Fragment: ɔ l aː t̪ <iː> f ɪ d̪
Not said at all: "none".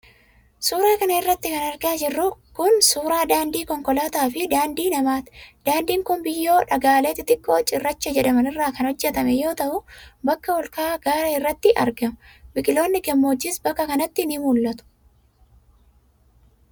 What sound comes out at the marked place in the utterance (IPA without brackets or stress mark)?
aː